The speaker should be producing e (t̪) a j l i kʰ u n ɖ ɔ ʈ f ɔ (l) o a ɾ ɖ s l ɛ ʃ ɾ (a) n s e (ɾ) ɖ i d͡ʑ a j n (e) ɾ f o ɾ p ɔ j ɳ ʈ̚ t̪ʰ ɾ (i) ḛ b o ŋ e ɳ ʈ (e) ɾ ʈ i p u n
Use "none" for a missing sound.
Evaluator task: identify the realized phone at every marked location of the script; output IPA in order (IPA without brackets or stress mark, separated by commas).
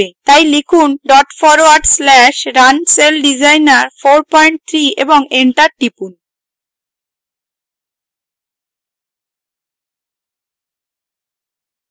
t̪, ɾ, a, l, a, i, a